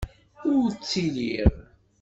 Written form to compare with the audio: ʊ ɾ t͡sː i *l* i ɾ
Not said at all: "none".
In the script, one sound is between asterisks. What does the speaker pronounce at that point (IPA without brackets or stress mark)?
l